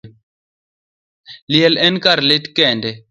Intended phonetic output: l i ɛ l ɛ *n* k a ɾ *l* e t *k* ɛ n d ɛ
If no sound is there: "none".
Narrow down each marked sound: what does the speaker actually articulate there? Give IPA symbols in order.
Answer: n, l, k

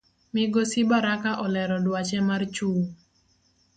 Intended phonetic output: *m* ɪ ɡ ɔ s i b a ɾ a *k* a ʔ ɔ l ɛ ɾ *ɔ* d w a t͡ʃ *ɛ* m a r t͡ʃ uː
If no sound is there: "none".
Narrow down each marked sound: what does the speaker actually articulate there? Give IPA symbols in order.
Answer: m, k, ɔ, ɛ

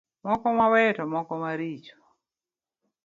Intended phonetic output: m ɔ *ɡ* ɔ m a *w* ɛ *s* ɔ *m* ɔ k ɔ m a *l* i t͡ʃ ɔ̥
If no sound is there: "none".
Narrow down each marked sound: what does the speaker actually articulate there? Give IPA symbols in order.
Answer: k, w, t, m, ɾ

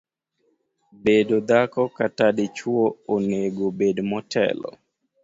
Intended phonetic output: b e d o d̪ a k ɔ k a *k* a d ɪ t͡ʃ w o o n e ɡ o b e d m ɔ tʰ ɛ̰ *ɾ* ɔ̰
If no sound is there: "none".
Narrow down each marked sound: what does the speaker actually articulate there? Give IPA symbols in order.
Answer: t, l

